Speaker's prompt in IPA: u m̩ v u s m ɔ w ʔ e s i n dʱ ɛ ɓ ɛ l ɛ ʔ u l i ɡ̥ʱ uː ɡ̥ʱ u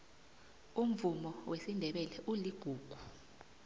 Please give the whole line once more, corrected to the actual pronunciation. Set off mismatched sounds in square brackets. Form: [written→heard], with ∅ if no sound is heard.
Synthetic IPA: u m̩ v u [s→∅] m ɔ w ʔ e s i n dʱ ɛ ɓ ɛ l ɛ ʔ u l i ɡ̥ʱ uː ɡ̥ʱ u